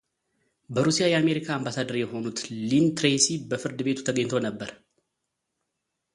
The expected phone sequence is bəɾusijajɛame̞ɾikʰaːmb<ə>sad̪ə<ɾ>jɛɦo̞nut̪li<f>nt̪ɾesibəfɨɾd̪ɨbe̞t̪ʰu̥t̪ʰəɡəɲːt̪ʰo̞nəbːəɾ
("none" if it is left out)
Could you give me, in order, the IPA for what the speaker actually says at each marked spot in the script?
a, ɾ, none

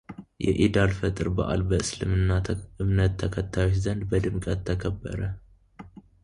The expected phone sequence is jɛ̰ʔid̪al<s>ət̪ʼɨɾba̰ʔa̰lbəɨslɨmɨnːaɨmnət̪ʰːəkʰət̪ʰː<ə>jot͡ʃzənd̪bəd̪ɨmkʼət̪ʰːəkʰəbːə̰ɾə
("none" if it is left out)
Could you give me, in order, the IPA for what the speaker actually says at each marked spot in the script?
f, a

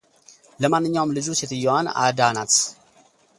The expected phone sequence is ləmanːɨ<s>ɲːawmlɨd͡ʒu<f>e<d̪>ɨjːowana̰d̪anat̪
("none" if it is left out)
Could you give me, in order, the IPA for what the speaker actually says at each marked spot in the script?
none, s, t̪

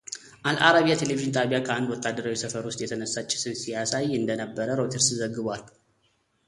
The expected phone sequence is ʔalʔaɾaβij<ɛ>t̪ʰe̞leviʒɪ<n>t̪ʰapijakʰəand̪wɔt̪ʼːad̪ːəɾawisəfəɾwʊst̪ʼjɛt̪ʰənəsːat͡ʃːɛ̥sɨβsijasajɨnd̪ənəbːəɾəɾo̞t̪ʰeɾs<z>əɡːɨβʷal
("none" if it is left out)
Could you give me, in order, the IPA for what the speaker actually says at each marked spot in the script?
a, n, z

